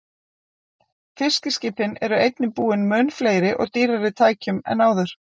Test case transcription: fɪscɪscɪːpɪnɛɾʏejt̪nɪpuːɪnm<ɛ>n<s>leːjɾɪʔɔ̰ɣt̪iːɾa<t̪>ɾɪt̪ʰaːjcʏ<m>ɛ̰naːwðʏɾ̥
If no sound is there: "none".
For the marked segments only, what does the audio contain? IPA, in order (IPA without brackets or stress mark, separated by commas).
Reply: œ, f, none, m